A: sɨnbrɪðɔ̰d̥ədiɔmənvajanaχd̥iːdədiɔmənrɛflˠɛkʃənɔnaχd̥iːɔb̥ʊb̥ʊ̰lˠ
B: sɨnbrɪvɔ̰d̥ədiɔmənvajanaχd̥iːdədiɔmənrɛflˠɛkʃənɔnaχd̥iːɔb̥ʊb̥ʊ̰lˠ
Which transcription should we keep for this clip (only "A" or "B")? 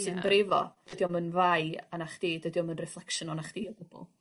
B